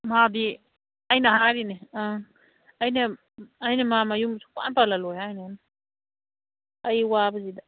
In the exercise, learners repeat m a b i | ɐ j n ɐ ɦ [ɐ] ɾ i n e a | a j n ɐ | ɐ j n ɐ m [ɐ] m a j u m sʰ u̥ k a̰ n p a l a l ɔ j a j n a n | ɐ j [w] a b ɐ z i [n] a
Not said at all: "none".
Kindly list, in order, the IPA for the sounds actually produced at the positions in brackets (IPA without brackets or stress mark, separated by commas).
a, a, w, d